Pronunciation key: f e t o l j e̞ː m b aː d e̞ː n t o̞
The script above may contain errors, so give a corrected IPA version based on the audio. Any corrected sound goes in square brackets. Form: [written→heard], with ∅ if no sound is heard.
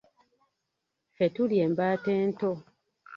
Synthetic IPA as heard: f e t [o→u] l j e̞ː m b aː [d→t] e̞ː n t o̞